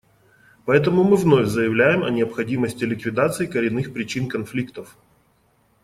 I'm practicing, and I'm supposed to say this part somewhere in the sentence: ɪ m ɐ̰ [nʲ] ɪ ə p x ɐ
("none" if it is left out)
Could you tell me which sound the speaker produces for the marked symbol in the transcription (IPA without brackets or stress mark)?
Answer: nʲ